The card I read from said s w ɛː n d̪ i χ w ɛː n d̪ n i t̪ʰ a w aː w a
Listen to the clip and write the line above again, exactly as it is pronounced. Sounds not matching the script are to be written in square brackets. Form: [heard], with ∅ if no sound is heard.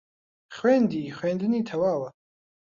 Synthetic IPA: [χ] w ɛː n d̪ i χ w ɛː n d̪ n i t̪ʰ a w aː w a